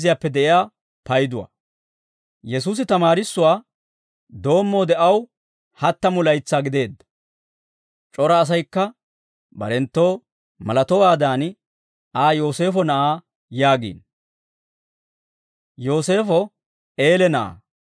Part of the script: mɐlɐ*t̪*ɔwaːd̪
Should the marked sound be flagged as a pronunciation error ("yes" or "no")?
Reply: no